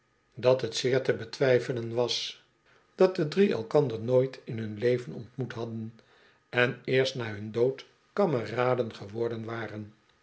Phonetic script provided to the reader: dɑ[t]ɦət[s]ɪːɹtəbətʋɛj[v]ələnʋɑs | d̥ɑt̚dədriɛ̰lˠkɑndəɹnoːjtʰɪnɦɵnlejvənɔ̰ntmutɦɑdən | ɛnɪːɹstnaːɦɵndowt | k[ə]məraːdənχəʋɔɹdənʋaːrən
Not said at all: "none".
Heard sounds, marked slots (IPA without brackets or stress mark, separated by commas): t, s, f, ɑ